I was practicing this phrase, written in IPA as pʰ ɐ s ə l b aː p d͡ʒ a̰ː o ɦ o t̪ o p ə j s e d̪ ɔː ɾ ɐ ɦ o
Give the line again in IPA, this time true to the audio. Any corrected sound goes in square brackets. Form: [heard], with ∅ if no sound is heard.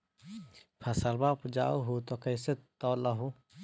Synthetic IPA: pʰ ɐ s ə l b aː p d͡ʒ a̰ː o ɦ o t̪ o [k] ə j s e [t̪] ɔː [l] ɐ ɦ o